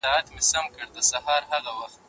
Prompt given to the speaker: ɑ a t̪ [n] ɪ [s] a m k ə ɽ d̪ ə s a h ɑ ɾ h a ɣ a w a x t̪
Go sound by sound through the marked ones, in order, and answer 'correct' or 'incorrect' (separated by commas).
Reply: incorrect, correct